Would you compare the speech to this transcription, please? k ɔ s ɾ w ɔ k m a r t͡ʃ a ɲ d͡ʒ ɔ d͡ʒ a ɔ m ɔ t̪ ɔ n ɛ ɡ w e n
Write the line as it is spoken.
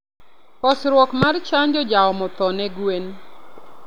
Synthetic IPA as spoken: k ɔ s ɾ w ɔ k m a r t͡ʃ a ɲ d͡ʒ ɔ d͡ʒ a ɔ m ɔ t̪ ɔ n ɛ ɡ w e n